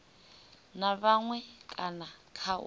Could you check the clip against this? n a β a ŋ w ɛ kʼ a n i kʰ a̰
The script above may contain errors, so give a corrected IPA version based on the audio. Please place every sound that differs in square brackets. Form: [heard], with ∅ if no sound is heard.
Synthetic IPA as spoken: n a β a ŋ w ɛ kʼ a n [a] kʰ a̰